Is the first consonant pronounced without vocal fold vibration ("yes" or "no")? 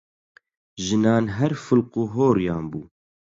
no